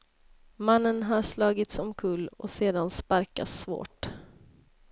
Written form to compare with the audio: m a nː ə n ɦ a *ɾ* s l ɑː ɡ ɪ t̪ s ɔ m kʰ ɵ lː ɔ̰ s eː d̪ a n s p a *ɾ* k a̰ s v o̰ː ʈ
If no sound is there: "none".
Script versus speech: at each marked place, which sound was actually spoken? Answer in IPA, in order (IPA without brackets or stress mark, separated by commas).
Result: ɾ, ɾ